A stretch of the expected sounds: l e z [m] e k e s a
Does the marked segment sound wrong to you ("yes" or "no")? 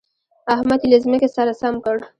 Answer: no